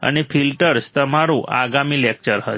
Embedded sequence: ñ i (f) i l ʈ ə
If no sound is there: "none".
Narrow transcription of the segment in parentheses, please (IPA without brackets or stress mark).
f